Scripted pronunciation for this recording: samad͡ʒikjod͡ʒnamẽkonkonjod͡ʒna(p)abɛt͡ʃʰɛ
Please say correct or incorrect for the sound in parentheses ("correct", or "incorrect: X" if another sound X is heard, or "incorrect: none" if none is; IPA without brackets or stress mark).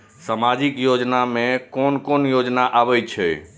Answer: incorrect: ʔ